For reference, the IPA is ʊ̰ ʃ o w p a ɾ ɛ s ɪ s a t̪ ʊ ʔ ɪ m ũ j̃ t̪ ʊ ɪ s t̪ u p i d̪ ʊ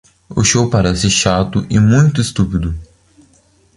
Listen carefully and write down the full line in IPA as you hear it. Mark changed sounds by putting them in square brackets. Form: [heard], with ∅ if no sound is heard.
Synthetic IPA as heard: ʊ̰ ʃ o w p a ɾ ɛ s ɪ [ʃ] a t̪ ʊ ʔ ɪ m ũ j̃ t̪ ʊ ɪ s t̪ u p i d̪ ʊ